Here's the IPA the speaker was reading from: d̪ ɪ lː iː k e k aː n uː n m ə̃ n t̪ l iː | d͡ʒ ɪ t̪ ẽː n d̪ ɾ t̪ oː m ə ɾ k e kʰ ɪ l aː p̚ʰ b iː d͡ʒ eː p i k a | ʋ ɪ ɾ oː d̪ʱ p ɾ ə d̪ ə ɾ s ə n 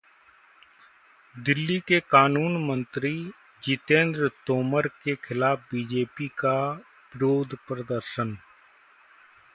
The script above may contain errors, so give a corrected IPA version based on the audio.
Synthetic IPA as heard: d̪ ɪ lː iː k e k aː n uː n m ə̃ n t̪ ɾ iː | d͡ʒ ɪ t̪ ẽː n d̪ ɾ t̪ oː m ə ɾ k e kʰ ɪ l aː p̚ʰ b iː d͡ʒ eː p i k a | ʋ ɪ ɾ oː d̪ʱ p ɾ ə d̪ ə ɾ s ə n